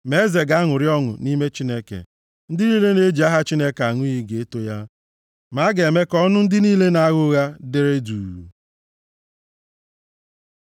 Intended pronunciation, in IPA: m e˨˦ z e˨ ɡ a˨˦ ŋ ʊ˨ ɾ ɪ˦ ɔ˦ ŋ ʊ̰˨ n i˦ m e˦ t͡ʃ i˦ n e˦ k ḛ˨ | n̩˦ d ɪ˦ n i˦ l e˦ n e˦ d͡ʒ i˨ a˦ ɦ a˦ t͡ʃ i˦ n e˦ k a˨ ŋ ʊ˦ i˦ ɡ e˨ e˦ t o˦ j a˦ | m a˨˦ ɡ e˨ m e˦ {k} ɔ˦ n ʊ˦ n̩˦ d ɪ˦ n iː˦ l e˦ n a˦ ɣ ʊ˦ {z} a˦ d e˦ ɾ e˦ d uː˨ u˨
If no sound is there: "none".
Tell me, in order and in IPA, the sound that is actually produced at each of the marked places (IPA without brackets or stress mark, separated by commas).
k, ɣ